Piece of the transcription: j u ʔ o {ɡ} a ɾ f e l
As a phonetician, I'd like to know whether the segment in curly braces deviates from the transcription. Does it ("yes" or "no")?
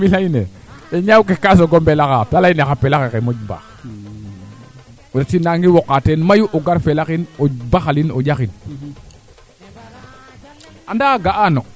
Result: no